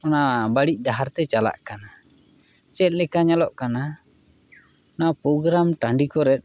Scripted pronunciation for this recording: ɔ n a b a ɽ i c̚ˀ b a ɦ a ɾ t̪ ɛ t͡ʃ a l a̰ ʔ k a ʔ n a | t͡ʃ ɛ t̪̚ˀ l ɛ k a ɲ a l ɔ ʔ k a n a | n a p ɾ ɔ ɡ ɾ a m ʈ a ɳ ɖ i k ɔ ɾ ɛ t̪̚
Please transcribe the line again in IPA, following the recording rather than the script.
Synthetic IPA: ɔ n a b a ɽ i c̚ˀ d a ɦ a ɾ t̪ ɛ t͡ʃ a l a̰ ʔ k a n a | t͡ʃ ɛ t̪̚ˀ l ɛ k a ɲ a l ɔ ʔ k a n a | n a p ɾ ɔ ɡ ɾ a m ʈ a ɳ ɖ i k ɔ ɾ ɛ t̪̚